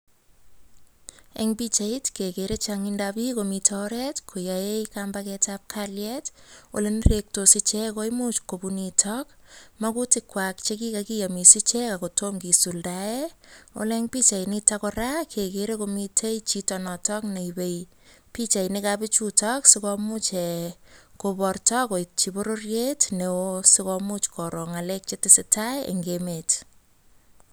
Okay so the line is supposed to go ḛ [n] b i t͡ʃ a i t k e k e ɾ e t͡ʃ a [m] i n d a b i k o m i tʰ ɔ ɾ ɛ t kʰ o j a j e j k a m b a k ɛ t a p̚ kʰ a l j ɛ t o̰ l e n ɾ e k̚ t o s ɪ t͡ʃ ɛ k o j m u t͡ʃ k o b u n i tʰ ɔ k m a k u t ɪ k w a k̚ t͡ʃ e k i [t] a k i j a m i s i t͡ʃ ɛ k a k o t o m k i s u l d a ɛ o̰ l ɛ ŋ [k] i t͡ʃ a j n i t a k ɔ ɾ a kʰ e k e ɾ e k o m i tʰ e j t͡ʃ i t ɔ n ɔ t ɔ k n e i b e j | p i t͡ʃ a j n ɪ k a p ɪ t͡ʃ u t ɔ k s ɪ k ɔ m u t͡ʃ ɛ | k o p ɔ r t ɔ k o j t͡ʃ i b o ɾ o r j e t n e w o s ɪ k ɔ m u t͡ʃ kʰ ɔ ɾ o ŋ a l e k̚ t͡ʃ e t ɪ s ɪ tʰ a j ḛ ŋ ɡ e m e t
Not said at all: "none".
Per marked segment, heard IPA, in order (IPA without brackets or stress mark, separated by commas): ŋ, ŋ, k, p